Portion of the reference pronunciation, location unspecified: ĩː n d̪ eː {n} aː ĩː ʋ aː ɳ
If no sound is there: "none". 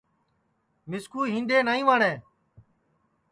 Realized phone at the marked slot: n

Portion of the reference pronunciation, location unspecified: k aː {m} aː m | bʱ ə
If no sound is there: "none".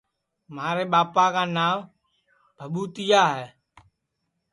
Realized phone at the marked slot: n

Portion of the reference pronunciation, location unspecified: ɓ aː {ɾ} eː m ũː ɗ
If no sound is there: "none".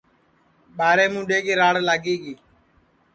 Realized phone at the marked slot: ɾ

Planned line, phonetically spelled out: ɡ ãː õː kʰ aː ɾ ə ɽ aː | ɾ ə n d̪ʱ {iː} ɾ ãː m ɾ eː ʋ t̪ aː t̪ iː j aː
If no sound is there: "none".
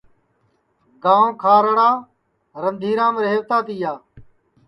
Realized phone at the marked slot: iː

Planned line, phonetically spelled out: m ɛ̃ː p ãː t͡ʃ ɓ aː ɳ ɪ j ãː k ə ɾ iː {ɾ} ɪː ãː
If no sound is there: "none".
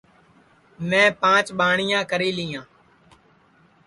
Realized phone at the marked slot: l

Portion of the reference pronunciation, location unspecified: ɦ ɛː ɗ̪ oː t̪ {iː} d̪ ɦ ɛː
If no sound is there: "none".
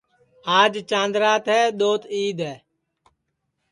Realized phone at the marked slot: iː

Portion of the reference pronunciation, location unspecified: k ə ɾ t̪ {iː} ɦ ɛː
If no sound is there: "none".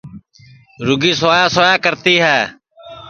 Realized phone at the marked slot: iː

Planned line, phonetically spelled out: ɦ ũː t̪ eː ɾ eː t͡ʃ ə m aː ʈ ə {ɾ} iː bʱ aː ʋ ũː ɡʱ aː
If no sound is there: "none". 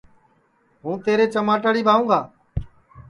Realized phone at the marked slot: ɽ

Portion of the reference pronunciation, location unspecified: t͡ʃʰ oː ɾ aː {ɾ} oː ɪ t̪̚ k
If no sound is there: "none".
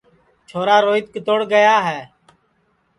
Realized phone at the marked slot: ɾ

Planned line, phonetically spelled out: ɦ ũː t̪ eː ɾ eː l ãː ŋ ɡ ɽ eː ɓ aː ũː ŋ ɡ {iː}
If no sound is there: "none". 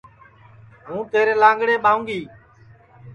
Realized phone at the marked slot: iː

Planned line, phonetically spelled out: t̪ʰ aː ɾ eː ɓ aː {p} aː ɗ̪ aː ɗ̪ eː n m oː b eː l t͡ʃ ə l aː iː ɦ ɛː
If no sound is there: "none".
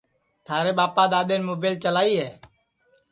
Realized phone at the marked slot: p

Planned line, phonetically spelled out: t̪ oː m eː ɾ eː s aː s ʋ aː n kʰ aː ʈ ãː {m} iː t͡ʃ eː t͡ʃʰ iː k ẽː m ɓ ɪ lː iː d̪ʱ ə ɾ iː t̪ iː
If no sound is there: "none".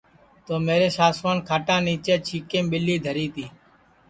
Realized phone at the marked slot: n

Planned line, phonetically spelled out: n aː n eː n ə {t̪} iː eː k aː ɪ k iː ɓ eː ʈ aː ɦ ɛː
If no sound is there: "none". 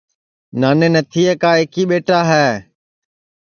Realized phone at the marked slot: t̪ʰ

